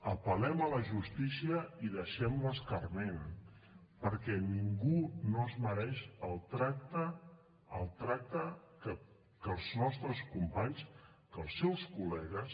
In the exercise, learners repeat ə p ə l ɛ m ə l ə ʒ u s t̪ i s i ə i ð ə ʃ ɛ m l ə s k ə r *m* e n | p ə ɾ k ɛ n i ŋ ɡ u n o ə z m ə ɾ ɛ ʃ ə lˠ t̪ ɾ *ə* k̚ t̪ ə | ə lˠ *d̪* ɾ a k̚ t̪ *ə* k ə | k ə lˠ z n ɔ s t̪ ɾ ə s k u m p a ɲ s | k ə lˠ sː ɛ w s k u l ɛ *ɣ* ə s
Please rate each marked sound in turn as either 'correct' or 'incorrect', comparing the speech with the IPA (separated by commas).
correct, incorrect, incorrect, correct, correct